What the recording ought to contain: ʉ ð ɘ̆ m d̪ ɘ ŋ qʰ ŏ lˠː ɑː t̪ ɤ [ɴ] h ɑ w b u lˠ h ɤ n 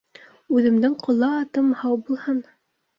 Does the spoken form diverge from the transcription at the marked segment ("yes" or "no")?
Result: yes